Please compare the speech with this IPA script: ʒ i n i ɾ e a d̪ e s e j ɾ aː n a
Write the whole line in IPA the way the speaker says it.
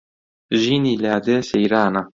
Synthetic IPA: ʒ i n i l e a d̪ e s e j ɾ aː n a

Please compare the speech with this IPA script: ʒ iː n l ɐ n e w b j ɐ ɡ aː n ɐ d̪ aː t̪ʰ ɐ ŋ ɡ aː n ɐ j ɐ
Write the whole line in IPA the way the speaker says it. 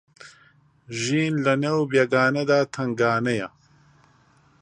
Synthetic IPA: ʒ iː n l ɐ n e w b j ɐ ɡ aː n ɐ d̪ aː t̪ʰ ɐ ŋ ɡ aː n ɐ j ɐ

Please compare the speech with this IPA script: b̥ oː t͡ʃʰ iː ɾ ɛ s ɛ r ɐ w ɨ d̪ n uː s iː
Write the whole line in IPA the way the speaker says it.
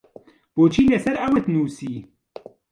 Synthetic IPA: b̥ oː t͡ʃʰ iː l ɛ s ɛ ɾ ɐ w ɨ t̪ n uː s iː

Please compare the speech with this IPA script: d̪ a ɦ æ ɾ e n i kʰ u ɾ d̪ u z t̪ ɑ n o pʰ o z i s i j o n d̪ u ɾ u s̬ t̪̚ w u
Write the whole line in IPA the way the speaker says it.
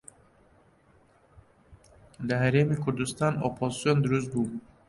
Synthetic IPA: d̪ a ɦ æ ɾ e m i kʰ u ɾ d̪ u s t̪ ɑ n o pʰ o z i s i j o n d̪ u ɾ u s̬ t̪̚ b u

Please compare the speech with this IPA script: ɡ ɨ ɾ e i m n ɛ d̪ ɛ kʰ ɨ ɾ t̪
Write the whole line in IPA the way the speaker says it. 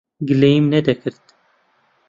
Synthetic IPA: ɡ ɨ l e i m n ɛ d̪ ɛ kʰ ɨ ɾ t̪

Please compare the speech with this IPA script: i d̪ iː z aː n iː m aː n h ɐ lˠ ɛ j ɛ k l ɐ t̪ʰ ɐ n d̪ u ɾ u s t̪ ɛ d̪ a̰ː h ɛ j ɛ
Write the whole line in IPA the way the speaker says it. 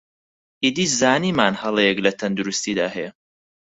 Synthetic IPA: i d̪ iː z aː n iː m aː n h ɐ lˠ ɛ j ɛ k l ɐ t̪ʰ ɐ n d̪ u ɾ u s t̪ i d̪ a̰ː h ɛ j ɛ

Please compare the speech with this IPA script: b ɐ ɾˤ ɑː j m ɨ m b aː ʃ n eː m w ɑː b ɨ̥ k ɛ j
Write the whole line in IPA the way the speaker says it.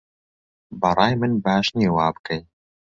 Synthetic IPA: b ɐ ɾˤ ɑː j m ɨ n b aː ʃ n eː w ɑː b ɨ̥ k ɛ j

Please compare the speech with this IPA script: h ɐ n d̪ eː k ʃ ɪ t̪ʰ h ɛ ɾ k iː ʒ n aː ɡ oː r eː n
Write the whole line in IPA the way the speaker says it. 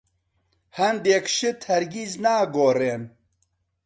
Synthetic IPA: h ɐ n d̪ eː k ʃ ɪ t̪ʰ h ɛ ɾ ɡ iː z n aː ɡ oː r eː n

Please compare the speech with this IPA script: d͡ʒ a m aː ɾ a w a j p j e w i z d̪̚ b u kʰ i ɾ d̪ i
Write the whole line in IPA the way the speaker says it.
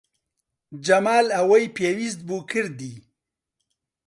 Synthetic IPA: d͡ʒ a m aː l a w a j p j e w i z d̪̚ b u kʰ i ɾ d̪ i

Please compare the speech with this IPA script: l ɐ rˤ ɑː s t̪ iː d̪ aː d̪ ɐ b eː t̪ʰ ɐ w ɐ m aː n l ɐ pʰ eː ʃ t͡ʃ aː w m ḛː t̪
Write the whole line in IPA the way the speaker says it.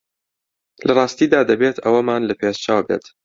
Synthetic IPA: l ɐ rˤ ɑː s t̪ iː d̪ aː d̪ ɐ b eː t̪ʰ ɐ w ɐ m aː n l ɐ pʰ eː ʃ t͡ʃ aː w b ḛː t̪

